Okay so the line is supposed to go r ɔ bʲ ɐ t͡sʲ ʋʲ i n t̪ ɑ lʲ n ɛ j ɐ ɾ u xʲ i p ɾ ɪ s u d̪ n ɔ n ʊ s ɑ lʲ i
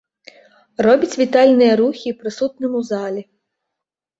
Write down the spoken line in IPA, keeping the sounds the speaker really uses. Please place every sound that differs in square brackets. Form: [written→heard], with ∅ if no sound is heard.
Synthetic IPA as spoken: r ɔ bʲ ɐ t͡sʲ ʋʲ i [n→∅] t̪ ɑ lʲ n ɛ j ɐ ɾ u xʲ i p ɾ ɪ s u [d̪→t̪] n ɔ [n→m] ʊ [s→z] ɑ lʲ i